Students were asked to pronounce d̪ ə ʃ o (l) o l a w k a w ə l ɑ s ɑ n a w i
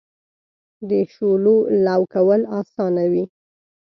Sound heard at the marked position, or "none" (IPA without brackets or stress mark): l